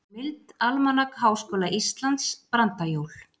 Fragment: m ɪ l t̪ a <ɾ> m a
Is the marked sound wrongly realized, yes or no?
yes